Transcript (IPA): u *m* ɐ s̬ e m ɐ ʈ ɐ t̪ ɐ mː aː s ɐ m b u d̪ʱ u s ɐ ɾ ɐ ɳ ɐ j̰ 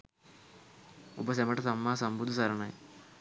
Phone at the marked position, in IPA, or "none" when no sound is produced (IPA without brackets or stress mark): b